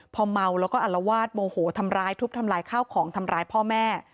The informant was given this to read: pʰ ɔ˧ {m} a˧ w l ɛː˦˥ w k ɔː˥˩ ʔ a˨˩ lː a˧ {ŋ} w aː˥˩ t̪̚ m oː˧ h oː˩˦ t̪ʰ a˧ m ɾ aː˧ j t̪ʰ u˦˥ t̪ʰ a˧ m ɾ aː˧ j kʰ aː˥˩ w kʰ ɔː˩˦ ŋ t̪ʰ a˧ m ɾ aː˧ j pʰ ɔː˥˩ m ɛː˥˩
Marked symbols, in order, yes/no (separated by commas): yes, no